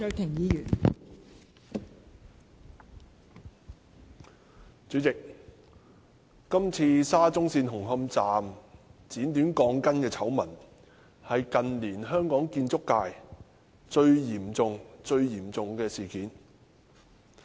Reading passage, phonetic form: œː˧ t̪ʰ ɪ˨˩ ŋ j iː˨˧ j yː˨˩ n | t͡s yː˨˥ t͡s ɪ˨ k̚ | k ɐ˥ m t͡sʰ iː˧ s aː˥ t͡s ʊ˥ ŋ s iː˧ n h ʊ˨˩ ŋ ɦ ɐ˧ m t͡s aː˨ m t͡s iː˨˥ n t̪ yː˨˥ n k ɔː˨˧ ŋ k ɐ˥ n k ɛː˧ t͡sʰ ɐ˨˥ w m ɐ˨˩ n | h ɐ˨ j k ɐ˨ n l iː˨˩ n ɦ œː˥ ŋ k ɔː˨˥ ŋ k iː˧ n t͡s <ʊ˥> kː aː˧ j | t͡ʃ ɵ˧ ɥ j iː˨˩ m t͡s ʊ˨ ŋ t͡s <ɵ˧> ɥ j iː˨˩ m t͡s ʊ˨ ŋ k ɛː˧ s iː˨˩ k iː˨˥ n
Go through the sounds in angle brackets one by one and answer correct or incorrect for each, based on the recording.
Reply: correct, correct

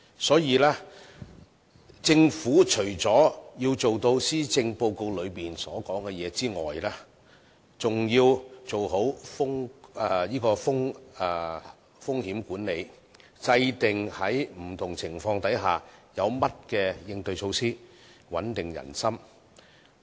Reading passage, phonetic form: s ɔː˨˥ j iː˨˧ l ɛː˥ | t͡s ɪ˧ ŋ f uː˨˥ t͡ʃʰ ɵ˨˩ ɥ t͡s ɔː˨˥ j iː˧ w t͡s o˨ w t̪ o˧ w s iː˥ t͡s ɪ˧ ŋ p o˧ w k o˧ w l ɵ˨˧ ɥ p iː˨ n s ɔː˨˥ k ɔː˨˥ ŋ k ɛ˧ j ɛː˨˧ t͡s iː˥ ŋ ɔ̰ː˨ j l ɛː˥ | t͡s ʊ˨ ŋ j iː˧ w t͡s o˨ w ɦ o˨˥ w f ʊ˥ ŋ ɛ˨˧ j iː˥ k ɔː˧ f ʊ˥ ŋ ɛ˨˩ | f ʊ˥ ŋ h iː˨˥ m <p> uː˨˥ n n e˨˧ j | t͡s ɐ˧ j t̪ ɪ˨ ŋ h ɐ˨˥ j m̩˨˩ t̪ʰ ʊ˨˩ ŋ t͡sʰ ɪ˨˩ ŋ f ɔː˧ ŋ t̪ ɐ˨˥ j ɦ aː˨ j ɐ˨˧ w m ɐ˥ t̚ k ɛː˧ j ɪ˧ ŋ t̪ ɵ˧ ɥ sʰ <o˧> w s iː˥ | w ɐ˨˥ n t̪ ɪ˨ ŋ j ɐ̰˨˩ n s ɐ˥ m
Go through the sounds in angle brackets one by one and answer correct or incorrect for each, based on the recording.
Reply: incorrect, correct

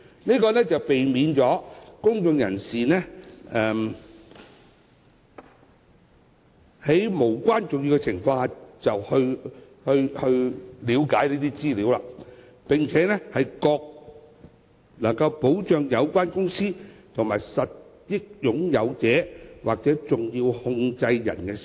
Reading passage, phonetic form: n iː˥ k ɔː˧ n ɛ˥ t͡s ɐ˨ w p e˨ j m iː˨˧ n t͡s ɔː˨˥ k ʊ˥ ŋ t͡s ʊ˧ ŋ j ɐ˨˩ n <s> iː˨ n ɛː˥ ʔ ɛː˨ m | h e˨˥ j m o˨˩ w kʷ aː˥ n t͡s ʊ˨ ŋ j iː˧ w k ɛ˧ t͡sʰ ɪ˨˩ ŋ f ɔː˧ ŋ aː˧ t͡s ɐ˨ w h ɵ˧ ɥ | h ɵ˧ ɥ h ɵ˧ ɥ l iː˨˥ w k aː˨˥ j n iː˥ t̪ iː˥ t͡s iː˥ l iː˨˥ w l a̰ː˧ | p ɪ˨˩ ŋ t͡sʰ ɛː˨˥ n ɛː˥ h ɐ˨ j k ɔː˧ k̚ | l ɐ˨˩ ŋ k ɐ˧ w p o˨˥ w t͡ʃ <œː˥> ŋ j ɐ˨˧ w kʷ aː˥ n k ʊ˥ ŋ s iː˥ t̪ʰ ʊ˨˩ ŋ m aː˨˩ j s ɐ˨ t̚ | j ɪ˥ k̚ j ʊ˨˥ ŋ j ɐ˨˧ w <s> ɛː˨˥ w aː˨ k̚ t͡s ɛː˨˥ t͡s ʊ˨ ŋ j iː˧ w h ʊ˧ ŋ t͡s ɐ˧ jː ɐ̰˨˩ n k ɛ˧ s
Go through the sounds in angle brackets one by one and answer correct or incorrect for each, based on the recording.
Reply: correct, incorrect, incorrect

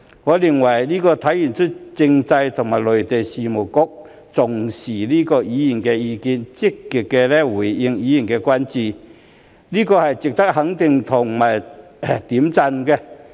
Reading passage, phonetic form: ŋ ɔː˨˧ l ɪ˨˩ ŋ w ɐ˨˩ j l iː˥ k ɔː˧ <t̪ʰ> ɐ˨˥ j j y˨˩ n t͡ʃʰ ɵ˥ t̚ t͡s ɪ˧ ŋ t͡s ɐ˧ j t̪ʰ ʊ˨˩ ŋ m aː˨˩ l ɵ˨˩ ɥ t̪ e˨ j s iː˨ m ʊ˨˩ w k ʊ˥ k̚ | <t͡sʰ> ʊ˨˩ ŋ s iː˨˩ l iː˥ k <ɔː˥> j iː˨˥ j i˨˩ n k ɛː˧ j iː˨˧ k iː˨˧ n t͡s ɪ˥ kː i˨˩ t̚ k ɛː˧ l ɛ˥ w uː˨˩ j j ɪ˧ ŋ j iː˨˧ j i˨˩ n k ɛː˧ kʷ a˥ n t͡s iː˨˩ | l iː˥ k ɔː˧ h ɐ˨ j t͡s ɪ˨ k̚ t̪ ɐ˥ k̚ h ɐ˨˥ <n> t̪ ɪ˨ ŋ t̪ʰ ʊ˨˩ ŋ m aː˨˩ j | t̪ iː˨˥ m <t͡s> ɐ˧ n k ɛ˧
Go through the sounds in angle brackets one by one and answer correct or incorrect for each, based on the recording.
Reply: correct, incorrect, incorrect, incorrect, correct

